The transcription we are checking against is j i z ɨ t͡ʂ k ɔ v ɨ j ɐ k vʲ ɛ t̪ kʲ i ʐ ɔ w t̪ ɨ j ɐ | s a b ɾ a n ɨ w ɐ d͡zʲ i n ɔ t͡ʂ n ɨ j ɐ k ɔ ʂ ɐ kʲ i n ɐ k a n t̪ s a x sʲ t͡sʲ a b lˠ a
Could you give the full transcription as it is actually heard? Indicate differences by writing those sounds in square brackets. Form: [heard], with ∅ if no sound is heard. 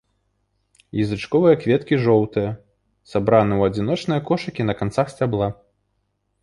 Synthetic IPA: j i z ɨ t͡ʂ k ɔ v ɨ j ɐ k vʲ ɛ t̪ kʲ i ʐ ɔ w t̪ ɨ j ɐ | s a b ɾ a n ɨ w ɐ d͡zʲ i n ɔ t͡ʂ n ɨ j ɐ k ɔ ʂ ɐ kʲ i n ɐ k a n t̪ s a x sʲ t͡sʲ a b lˠ a